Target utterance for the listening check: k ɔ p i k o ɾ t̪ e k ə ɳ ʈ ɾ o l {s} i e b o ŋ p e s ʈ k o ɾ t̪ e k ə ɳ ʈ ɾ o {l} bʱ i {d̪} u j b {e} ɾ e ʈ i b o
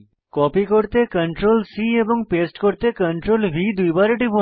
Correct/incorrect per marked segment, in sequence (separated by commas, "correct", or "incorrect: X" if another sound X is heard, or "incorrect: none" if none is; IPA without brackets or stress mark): correct, correct, correct, incorrect: a